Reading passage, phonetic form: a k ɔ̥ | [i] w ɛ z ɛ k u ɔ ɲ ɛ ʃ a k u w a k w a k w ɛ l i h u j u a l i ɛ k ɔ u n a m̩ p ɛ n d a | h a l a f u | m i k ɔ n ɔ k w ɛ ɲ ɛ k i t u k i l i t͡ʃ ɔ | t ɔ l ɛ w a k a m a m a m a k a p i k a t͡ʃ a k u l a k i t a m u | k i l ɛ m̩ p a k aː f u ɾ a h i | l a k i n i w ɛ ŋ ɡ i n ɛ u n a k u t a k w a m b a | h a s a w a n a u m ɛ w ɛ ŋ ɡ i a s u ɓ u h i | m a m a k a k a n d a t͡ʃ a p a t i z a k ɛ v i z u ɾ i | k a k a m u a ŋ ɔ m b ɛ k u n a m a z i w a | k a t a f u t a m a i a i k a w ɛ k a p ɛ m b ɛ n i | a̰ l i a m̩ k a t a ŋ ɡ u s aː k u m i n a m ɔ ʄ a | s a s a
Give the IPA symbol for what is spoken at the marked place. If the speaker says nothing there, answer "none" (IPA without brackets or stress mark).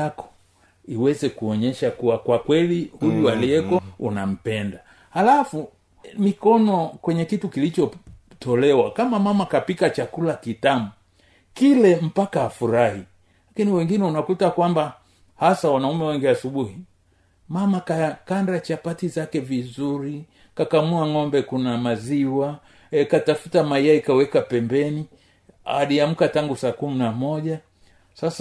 i